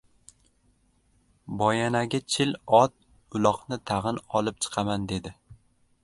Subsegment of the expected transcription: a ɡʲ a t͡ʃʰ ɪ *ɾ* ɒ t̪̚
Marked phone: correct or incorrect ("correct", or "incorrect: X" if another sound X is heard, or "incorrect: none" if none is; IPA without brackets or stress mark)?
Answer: incorrect: l